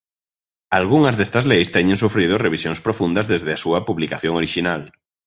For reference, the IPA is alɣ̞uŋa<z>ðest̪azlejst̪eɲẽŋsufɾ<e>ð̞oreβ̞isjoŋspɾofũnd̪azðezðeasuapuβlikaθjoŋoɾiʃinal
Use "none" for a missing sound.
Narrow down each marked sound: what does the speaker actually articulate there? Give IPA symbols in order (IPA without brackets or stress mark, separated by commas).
z, i